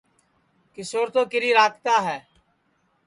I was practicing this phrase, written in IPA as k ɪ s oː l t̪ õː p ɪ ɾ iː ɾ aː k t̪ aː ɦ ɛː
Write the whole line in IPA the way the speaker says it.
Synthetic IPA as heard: k ɪ s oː ɾ t̪ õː k ɪ ɾ iː ɾ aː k t̪ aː ɦ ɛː